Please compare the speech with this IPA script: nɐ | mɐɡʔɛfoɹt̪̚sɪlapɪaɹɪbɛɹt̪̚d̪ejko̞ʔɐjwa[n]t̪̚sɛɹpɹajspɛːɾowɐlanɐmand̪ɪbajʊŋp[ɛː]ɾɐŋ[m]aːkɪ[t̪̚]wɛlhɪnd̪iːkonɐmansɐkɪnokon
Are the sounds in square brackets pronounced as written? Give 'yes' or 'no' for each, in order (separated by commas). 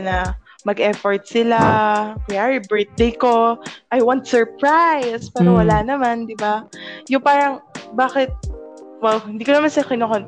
yes, no, no, yes